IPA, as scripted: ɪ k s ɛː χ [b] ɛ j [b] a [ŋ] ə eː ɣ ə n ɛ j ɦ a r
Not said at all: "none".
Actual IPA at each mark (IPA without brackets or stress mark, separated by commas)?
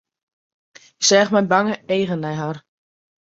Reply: m, b, ŋ